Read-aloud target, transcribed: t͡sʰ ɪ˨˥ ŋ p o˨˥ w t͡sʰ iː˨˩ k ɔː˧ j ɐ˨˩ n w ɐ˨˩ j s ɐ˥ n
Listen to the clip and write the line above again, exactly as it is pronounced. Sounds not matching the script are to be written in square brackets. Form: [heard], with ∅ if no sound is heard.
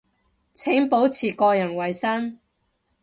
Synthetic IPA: t͡sʰ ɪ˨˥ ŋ p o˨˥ w t͡sʰ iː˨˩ k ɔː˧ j ɐ˨˩ n w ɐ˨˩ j s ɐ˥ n